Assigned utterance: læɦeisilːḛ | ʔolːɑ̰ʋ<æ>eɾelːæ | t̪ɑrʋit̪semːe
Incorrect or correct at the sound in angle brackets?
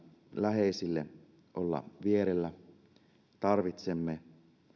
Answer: incorrect: i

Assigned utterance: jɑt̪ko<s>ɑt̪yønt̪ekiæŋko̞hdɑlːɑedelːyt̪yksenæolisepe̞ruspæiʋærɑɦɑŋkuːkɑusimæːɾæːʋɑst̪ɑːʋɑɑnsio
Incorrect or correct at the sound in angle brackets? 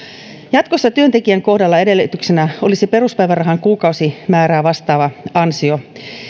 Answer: incorrect: sː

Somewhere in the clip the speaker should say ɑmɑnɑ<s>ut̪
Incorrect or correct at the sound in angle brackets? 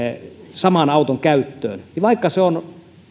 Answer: incorrect: none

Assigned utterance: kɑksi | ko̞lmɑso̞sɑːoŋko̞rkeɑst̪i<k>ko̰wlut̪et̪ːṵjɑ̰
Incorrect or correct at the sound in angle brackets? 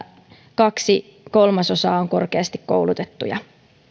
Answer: correct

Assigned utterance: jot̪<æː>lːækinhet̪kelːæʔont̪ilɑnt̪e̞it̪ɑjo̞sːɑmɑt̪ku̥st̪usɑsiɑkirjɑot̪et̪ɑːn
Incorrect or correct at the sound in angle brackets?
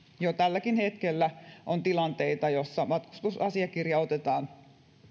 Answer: incorrect: æ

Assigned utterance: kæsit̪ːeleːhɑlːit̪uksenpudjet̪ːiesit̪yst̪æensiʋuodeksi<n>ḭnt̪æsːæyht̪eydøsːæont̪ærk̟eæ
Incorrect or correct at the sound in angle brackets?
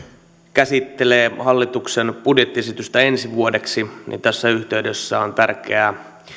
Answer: correct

